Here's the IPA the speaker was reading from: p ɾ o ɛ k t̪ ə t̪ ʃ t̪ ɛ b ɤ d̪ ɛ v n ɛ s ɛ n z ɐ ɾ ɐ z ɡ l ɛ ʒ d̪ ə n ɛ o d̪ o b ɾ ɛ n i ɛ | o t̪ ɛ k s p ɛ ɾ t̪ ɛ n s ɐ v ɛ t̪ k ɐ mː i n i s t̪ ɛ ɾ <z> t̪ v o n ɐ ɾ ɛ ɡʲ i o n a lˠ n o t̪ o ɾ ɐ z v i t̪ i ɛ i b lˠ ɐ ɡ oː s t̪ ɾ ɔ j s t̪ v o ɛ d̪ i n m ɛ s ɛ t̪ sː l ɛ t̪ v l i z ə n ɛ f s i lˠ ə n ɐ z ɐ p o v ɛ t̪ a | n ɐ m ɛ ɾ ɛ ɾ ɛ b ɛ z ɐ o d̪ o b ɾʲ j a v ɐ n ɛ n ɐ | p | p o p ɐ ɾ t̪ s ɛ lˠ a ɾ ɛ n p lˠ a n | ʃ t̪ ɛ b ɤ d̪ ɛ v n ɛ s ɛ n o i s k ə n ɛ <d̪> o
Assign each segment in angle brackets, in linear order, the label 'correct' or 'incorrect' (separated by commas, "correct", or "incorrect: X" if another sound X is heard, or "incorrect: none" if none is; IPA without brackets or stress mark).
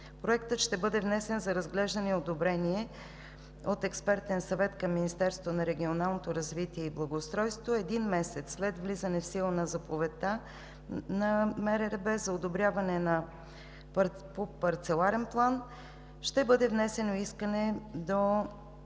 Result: incorrect: s, correct